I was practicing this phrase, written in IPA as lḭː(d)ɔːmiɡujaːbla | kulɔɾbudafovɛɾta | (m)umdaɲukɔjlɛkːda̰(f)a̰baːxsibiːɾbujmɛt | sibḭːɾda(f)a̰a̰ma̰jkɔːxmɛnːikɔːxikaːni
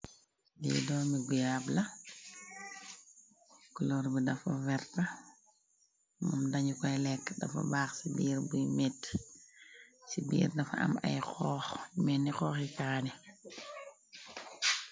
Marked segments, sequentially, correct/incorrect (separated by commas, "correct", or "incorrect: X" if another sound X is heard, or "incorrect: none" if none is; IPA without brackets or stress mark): correct, correct, correct, correct